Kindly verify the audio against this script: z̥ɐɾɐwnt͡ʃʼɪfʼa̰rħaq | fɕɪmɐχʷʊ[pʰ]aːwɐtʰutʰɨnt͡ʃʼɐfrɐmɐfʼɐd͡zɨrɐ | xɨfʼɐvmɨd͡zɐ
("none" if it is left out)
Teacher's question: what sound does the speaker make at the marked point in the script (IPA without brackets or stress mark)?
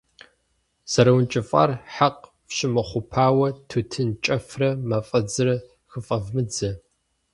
pʰ